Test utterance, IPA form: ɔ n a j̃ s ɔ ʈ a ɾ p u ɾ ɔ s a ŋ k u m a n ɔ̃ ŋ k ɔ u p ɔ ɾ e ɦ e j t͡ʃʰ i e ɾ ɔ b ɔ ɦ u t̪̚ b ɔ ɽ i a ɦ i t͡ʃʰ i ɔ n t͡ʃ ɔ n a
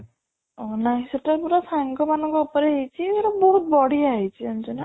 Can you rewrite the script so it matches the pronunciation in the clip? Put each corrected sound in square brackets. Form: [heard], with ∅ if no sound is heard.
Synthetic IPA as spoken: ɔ n a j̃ s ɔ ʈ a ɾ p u ɾ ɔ s a ŋ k [ɔ] m a n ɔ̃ ŋ k ɔ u p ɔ ɾ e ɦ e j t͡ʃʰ i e ɾ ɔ b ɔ ɦ u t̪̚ b ɔ ɽ i a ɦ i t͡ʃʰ i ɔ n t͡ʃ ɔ n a